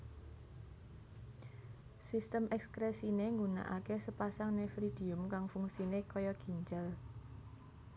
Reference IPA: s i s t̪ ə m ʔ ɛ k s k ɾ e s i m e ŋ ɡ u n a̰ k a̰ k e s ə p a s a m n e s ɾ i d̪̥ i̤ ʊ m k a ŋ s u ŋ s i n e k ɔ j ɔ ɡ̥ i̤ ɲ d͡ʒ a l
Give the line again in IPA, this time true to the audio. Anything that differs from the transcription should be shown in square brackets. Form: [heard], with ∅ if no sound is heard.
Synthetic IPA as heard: s i s t̪ ə m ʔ ɛ k s k ɾ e s i [n] e ŋ ɡ u n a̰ [ʔ] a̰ k e s ə p a s a [ŋ] n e [f] ɾ i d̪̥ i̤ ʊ m k a ŋ [f] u ŋ s i n e k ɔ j ɔ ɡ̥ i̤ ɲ d͡ʒ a l